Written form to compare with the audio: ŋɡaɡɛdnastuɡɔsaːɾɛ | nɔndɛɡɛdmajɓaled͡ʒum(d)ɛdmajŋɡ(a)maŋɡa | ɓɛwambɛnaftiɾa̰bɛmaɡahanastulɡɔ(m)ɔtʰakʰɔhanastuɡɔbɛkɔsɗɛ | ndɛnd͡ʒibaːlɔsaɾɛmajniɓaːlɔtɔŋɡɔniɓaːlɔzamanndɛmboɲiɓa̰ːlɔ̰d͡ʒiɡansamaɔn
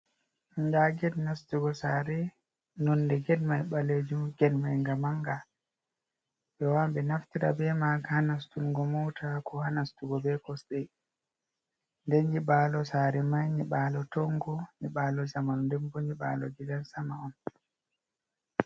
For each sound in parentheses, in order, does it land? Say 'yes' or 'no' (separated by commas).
no, yes, yes